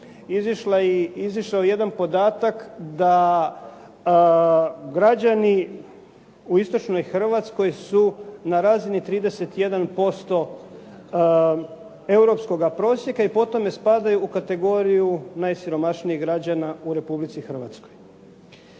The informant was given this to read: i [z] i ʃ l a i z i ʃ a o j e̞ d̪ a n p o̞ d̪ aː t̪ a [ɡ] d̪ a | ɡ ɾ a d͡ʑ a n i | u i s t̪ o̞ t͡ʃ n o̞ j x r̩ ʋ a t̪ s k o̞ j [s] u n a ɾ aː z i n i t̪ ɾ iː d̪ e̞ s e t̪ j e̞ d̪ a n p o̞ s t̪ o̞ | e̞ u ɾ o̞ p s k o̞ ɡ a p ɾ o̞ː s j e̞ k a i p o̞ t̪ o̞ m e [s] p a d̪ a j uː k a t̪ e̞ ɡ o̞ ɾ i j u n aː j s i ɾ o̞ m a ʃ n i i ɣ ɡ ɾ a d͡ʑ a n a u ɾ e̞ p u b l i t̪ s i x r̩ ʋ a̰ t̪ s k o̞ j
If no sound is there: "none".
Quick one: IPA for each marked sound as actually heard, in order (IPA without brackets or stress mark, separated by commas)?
z, k, s, s